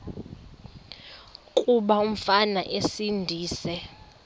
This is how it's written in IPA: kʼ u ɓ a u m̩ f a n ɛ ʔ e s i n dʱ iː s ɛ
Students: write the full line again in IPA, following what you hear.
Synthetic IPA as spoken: kʼ u ɓ a u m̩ f a n a ʔ e s i n dʱ iː s ɛ